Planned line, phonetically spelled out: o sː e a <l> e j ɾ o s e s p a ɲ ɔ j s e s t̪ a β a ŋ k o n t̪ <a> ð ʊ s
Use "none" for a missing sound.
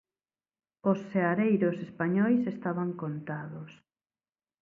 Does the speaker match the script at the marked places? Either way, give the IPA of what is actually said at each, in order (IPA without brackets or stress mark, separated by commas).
ɾ, a